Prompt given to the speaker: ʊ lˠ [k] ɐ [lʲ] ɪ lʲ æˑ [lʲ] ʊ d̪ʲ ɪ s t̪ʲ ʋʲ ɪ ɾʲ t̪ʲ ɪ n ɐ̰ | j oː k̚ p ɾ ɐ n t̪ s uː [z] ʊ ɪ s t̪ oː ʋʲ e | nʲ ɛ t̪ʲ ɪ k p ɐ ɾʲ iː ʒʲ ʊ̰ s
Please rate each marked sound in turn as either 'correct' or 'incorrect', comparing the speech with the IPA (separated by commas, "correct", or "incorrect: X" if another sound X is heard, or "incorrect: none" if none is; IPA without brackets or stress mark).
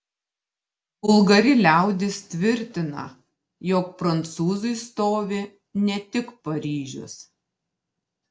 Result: incorrect: ɡ, incorrect: ɾʲ, incorrect: none, correct